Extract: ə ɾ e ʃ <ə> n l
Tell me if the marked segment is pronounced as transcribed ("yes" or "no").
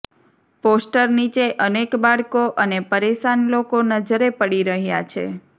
no